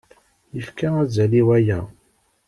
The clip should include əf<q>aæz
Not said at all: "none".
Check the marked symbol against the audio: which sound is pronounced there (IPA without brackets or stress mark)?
k